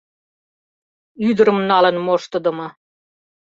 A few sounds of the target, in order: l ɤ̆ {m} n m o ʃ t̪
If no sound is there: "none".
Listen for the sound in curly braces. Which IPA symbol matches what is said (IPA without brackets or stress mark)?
none